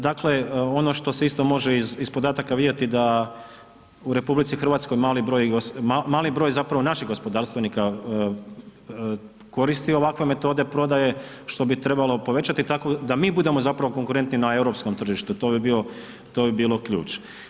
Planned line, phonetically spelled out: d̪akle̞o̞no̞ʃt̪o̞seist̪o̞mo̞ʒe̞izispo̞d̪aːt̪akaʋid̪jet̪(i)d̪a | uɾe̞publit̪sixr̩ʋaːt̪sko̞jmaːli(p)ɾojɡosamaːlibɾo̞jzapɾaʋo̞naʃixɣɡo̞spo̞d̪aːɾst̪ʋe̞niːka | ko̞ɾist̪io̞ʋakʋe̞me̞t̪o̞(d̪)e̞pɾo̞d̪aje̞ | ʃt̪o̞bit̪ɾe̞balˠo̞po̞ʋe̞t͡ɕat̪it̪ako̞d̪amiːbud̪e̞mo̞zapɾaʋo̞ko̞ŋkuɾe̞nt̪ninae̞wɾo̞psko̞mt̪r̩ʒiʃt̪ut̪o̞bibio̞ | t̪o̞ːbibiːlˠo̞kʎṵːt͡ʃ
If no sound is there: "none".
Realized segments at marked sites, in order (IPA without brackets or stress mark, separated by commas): i, b, d̪